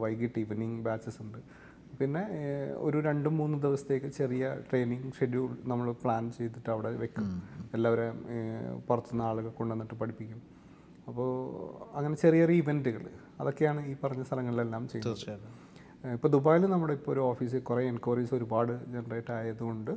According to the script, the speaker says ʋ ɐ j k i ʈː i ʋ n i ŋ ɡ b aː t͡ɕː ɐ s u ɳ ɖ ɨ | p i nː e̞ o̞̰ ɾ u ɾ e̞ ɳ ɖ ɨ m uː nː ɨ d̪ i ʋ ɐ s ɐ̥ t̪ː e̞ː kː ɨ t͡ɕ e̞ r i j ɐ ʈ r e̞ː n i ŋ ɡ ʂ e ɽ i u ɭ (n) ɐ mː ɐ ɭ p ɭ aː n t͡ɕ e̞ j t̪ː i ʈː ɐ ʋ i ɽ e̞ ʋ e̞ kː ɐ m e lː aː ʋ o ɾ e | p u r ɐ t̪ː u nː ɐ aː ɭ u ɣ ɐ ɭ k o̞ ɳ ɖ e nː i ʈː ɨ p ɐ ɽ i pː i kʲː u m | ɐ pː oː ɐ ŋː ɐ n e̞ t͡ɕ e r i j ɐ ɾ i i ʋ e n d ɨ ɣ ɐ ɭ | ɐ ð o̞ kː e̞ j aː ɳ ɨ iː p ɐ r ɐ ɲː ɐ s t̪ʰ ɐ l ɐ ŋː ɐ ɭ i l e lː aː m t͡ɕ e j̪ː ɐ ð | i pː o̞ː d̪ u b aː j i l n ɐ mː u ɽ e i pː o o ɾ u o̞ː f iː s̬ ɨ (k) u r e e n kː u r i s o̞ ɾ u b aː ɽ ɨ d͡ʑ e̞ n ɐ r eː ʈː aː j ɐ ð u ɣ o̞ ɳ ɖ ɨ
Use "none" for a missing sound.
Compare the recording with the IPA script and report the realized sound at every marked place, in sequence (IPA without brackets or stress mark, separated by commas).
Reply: n, k